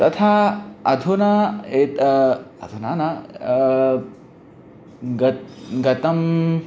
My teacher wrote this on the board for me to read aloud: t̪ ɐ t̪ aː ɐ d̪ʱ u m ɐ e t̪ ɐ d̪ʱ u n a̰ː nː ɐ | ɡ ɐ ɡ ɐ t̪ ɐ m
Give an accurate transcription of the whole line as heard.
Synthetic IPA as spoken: t̪ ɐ t̪ʰ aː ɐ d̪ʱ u n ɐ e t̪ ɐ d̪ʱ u n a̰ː n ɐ | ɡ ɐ ɡ ɐ t̪ ɐ m